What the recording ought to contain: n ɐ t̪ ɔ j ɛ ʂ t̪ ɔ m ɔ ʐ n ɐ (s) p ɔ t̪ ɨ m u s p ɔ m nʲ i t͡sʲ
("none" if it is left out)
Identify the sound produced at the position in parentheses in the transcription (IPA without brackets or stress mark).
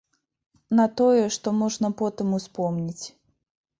none